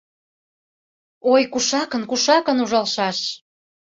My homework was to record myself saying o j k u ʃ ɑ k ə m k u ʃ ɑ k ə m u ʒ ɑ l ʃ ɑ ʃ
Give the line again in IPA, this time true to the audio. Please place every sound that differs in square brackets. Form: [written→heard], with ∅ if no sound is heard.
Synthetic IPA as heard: o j k u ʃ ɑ k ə [m→n] k u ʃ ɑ k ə [m→n] u ʒ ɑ l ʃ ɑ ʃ